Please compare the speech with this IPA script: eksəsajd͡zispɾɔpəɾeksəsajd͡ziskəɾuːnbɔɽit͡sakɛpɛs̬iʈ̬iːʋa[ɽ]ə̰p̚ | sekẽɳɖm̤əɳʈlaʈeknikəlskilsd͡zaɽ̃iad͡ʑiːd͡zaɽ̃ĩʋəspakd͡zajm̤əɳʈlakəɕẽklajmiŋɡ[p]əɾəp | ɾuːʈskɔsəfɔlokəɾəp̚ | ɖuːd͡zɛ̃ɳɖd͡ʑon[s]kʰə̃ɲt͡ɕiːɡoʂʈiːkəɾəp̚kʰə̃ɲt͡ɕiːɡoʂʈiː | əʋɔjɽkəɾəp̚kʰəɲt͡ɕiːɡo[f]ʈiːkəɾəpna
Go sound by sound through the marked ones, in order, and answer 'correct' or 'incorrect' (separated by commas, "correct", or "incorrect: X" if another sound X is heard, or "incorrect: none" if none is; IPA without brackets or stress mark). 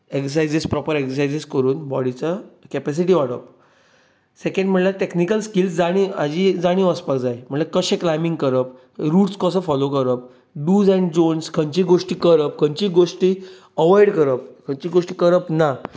correct, incorrect: k, correct, incorrect: ʂ